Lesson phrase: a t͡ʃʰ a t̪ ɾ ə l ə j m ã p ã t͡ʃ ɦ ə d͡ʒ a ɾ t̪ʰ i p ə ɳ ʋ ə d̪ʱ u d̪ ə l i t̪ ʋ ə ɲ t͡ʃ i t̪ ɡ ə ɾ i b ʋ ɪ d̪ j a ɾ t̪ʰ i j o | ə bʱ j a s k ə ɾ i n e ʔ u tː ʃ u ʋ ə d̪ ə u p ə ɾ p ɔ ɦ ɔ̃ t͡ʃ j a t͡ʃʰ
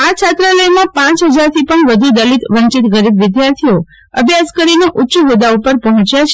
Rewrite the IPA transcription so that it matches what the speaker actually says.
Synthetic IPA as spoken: a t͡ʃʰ a t̪ ɾ ə l ə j m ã p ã t͡ʃ ɦ ə d͡ʒ a ɾ t̪ʰ i p ə ɳ ʋ ə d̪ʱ u d̪ ə l i t̪ ʋ ə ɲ t͡ʃ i t̪ ɡ ə ɾ i b ʋ ɪ d̪ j a ɾ t̪ʰ i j o | ə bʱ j a s k ə ɾ i n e ʔ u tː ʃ u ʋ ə d̪ a u p ə ɾ p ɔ ɦ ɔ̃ t͡ʃ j a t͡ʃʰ